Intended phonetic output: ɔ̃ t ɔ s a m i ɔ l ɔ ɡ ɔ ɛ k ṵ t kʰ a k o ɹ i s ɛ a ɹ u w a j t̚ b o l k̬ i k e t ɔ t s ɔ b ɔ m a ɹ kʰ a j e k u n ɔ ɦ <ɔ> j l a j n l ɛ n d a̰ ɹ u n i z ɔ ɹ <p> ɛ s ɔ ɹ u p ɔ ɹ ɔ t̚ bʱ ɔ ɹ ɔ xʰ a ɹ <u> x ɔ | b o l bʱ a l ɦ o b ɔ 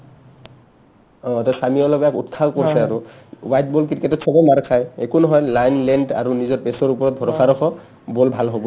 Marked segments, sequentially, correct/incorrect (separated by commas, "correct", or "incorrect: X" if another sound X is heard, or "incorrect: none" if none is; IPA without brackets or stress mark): correct, correct, incorrect: ɔ